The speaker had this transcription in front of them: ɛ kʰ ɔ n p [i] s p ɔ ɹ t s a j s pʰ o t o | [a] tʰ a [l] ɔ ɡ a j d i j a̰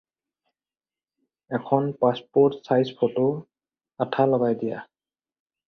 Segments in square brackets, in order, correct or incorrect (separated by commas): incorrect, correct, correct